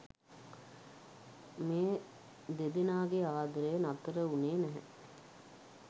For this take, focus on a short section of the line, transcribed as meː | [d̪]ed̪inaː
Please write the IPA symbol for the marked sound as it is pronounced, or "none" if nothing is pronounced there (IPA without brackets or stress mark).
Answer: d̪